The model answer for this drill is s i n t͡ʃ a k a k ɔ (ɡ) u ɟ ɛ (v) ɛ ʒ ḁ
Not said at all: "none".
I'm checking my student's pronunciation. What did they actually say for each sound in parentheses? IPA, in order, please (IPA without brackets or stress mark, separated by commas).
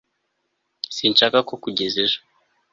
k, z